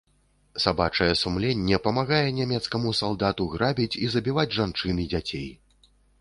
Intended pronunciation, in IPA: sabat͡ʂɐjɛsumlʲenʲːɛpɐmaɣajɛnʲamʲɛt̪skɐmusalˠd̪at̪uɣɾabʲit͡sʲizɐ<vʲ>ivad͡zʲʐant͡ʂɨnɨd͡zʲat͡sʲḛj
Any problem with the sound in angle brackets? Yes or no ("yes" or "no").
yes